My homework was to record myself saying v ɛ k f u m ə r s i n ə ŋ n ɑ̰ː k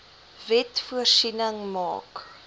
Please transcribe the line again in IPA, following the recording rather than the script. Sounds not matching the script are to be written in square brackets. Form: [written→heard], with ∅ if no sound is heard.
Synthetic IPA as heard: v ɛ [k→t] f u [m→∅] ə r s i n ə ŋ [n→m] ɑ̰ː k